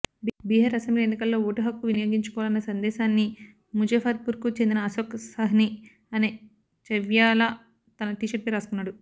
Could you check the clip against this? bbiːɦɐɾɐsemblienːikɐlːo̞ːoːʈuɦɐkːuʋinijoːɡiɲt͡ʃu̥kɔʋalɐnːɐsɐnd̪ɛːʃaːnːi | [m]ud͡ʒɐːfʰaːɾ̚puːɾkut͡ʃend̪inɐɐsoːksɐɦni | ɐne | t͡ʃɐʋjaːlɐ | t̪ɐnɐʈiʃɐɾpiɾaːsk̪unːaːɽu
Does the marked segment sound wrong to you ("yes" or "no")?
no